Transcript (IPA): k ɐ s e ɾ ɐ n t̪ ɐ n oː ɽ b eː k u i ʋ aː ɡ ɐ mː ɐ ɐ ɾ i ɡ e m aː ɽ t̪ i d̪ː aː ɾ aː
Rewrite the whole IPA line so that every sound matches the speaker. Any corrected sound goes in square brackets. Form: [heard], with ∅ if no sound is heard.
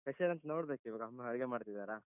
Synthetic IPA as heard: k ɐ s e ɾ ɐ n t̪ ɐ n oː ɽ b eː k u i ʋ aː ɡ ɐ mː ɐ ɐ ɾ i ɡ e m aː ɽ t̪ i [d̪] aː ɾ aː